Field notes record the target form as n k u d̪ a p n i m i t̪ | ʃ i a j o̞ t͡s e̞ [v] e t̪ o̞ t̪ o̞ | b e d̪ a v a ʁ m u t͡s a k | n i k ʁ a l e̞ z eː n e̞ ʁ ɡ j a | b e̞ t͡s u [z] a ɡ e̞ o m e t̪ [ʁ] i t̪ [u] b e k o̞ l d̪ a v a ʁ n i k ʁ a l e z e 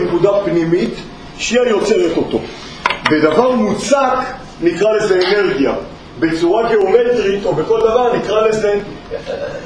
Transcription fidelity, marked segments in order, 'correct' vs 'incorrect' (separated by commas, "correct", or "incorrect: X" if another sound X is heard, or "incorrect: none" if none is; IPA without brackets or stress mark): incorrect: ʁ, incorrect: ʁ, correct, incorrect: o